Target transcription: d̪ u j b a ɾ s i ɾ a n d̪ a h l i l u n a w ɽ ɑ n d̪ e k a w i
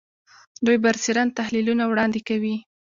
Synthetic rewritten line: d̪ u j b a ɾ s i ɾ a n t̪ a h l i l u n a w ɽ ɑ n d̪ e k a w i

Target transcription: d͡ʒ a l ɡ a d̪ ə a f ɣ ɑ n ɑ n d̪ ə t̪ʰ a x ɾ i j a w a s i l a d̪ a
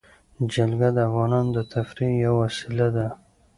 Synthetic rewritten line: d͡ʒ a l ɡ a d̪ ə a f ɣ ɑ n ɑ n d̪ ə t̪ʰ a f ɾ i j a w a s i l a d̪ a

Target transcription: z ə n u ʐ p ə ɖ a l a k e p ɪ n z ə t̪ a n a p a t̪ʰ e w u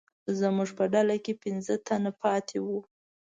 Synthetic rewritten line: z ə m u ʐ p ə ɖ a l a k e p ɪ n z ə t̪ a n a p ɑ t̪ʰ e w u

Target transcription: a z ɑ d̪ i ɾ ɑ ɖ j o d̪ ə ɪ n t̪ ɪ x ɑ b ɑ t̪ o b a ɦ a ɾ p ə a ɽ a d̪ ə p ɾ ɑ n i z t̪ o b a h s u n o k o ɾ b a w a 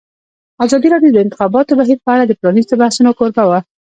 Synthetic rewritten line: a z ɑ d̪ i ɾ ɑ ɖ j o d̪ ə ɪ n t̪ ɪ x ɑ b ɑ t̪ o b a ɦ i ɾ p ə a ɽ a d̪ ə p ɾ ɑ n i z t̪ o b a h s u n o k o ɾ b a w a

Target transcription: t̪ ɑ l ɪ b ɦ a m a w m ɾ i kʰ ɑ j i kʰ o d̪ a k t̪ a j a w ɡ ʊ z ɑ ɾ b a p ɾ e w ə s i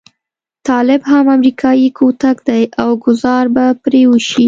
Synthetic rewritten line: t̪ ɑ l ɪ b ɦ a m a m ɾ i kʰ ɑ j i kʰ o t̪ a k d̪ a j a w ɡ ʊ z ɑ ɾ b a p ɾ e w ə ʃ i

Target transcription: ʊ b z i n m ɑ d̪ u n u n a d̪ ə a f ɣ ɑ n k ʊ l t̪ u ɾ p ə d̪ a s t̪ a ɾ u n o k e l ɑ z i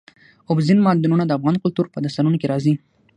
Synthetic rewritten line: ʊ b z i n m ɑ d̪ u n u n a d̪ ə a f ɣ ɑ n k ʊ l t̪ u ɾ p ə d̪ a s t̪ a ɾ u n o k e ɾ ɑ z i

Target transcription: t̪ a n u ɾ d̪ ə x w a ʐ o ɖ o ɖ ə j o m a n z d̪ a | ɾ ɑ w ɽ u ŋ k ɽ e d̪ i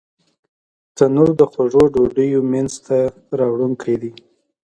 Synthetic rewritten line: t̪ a n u ɾ d̪ ə x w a ʐ o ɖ o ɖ ə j o m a n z t̪ a | ɾ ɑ w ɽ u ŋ k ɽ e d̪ i

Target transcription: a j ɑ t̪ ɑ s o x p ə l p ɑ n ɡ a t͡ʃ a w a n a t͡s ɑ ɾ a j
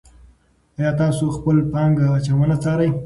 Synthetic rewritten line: a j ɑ t̪ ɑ s o x p ə l p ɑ ŋ ɡ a t͡ʃ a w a n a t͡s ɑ ɾ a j

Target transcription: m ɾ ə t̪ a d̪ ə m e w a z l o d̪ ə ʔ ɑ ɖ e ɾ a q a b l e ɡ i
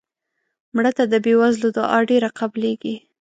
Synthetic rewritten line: m ɽ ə t̪ a d̪ ə b e w a z l o d̪ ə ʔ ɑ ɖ e ɾ a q a b l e ɡ i

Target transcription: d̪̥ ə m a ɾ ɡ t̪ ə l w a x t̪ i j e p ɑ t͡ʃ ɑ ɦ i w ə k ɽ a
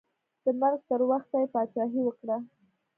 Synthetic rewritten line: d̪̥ ə m a ɾ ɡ t̪ ə ɾ w a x t̪ a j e p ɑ t͡ʃ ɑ ɦ i w ə k ɽ a

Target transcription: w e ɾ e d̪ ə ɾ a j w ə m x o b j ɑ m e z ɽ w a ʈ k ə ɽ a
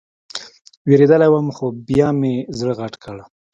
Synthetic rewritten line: w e ɾ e d̪ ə l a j w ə m x o b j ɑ m e z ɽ ɣ a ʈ k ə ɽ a

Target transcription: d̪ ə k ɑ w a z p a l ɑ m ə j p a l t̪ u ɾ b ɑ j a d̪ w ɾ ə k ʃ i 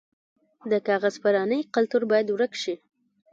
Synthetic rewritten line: d̪ ə k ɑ ɣ a z p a ɾ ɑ n ə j q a l t̪ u ɾ b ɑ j a d̪ w ɾ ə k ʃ i

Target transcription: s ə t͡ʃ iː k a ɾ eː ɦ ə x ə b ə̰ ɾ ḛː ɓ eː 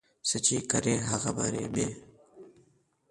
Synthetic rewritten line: s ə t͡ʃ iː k ə ɾ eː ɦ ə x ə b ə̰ ɾ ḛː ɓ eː

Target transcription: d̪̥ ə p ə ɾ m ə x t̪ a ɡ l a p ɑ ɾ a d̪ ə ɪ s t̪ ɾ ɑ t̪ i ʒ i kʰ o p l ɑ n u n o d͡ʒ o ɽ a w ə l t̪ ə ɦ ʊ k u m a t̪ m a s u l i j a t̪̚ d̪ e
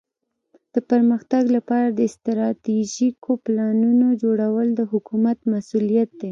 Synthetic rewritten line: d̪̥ ə p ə ɾ m ə x t̪ a ɡ l a p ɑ ɾ a d̪ ə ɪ s t̪ ɾ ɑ t̪ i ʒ i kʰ o p l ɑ n u n o d͡ʒ o ɽ a w ə l d̪ ə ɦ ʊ k u m a t̪ m a s u l i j a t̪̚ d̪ e

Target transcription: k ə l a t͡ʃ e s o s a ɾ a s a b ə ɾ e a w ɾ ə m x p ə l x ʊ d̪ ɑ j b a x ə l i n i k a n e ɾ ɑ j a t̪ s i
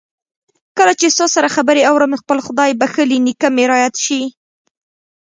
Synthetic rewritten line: k ə l a t͡ʃ e s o s a ɾ a x a b ə ɾ e a w ɾ ə m x p ə l x ʊ d̪ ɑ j b a x ə l i n i k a m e ɾ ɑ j a t̪ ʃ i

